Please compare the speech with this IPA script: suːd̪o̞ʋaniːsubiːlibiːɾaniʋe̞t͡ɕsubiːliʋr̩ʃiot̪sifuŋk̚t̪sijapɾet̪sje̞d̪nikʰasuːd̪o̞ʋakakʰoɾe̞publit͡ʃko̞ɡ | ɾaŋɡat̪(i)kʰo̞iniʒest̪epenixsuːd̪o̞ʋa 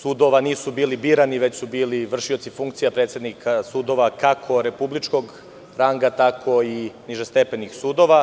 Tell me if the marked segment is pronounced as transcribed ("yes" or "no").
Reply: no